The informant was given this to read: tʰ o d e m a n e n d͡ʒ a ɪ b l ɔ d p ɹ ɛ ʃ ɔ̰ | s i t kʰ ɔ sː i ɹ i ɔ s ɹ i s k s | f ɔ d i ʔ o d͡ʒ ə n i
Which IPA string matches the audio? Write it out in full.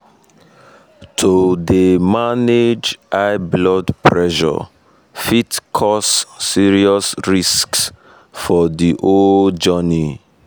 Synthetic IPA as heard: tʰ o d e m a n e d͡ʒ a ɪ b l ɔ d p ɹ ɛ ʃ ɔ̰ | f i t kʰ ɔ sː i ɹ i ɔ s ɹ i s k s | f ɔ d i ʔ o d͡ʒ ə n i

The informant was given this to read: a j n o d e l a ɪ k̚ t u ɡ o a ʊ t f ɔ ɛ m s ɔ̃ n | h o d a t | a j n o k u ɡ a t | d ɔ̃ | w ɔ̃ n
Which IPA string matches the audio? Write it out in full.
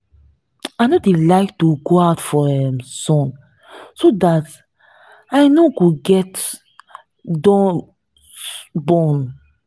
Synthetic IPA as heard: a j n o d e l a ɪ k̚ t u ɡ o a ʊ t f ɔ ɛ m s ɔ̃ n | s o d a t | a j n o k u ɡ ɛ t | d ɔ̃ | b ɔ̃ n

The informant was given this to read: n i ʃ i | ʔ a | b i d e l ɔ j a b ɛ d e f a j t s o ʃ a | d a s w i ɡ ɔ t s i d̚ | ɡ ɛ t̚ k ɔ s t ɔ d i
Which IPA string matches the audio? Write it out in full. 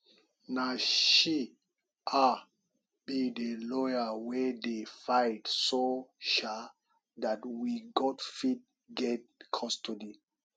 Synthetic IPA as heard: n a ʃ i | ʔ a | b i d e l ɔ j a w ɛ d e f a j t s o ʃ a | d a t w i ɡ ɔ t f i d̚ | ɡ ɛ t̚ kʰ ɔ s t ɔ d i

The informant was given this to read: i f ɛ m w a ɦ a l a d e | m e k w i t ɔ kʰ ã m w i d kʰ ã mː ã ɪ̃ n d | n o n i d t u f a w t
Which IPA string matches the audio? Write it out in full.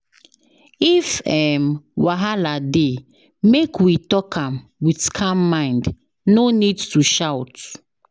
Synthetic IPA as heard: i f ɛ m w a ɦ a l a d e | m e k w i t ɔ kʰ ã m w i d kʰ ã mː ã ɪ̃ n d | n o n i d t u ʃ a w t

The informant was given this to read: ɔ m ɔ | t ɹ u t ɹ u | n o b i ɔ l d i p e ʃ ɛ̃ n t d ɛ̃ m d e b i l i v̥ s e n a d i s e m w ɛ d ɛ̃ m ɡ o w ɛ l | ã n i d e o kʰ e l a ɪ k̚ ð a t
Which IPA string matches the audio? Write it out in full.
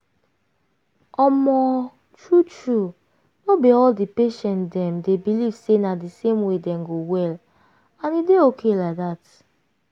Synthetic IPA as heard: ɔ m ɔ | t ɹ u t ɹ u | n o b i ɔ l d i p e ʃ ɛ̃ n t d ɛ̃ m d e b i l i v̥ s e n a d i s e m w e d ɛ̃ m ɡ o w ɛ l | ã n i d e o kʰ e l a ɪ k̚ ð a t

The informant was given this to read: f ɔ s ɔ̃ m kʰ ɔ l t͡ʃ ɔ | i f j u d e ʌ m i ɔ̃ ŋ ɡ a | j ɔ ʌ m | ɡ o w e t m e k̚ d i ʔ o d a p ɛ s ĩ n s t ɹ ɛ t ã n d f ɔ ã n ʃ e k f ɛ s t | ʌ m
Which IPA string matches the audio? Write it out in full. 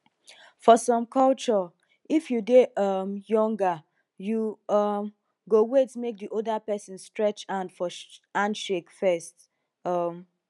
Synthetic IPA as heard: f ɔ s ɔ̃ m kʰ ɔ l t͡ʃ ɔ | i f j u d e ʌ m j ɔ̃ ŋ ɡ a | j u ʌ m | ɡ o w e t m e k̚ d i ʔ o d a p ɛ s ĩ n s t ɹ ɛ t͡ʃ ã n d f ɔ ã n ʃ e k f ɛ s t | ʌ m

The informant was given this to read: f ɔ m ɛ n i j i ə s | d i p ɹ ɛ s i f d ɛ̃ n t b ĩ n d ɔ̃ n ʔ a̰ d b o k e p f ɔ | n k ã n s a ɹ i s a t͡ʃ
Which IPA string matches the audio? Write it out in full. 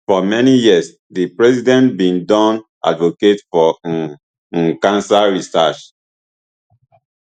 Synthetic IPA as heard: f ɔ m ɛ n i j i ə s | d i p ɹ ɛ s i d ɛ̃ n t b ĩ n d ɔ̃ n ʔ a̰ d v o k e t f ɔ | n k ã n s a ɹ i s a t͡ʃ

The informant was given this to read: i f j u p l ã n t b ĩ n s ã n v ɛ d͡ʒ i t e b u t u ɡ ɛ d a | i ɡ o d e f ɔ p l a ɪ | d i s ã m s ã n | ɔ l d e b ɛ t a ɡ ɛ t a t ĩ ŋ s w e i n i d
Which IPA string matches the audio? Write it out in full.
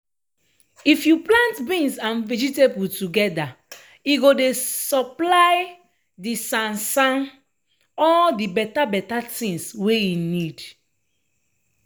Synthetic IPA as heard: i f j u p l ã n t b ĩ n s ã n v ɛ d͡ʒ i t e b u t u ɡ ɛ d a | i ɡ o d e s ɔ p l a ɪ | d i s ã n s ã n | ɔ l d i b ɛ t a b ɛ t a t ĩ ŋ s w e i n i d

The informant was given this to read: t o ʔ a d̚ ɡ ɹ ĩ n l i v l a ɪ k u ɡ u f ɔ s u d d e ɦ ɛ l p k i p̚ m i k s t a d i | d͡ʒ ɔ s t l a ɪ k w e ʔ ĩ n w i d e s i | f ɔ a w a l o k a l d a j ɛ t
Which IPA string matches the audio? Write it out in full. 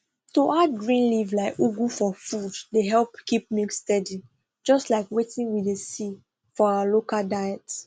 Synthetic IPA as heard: t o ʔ a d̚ ɡ ɹ ĩ n l i v l a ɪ k u ɡ u f ɔ f u d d e ɦ ɛ l p k i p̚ m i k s t ɛ d i | d͡ʒ ɔ s t l a ɪ k w e t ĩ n w i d e s i | f ɔ a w a l o k a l d a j ɛ t

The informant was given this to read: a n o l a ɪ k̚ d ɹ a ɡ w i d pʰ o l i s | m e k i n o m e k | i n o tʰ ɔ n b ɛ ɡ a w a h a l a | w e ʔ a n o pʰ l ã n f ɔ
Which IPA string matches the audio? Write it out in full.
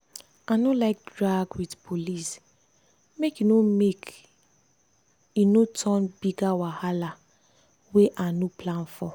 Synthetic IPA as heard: a n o l a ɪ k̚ d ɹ a ɡ w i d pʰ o l i s | m e k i n o m e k | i n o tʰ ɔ n b i ɡ a w a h a l a | w e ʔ a n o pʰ l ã n f ɔ

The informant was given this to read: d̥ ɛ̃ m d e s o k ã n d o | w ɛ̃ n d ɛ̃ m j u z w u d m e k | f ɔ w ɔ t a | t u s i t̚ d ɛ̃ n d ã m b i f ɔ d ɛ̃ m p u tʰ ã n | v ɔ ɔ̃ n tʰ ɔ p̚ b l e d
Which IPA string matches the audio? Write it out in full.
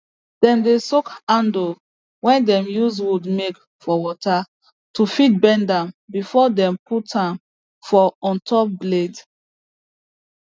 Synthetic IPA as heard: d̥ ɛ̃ m d e s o k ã n d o | w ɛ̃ n d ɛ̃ m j u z w u d m e k | f ɔ w ɔ t a | t u f i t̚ b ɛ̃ n d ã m b i f ɔ d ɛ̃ m p u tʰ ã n | f ɔ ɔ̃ n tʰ ɔ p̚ b l e d

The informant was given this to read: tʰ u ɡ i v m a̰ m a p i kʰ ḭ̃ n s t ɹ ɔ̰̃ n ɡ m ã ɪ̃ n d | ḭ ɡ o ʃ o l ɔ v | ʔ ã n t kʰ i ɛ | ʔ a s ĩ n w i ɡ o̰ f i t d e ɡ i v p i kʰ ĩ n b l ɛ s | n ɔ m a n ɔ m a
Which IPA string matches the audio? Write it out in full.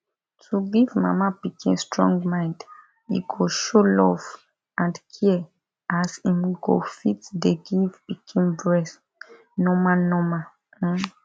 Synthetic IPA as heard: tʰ u ɡ i v m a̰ m a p i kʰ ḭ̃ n s t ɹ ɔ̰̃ ŋ ɡ m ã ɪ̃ n d | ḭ ɡ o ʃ o l ɔ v | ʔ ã n d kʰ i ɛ | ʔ a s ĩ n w i ɡ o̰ f i t d e ɡ i v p i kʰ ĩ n b ɹ ɛ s | n ɔ m a n ɔ m a

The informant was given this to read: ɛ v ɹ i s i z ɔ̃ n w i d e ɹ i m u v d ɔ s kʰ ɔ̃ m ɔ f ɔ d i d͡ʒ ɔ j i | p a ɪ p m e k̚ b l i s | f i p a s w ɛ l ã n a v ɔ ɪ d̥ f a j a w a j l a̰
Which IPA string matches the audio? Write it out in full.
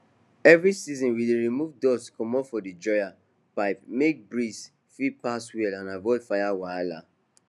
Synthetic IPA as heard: ɛ v ɹ i s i z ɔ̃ n w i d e ɹ i m u v d ɔ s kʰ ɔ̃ m ɔ f ɔ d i d͡ʒ ɔ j a | p a ɪ p m e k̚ b ɹ i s | f i p a s w ɛ l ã n a v ɔ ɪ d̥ f a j a w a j l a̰

